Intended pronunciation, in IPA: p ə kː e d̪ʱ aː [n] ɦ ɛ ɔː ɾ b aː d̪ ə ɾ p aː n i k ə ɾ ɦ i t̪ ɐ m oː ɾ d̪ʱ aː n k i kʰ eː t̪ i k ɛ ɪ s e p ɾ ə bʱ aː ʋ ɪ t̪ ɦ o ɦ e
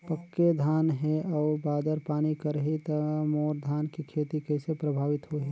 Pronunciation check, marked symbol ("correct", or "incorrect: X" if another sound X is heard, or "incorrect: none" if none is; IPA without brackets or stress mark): correct